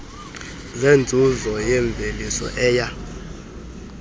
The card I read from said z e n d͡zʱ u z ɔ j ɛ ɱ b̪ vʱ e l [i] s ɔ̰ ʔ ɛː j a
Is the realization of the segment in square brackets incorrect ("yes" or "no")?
no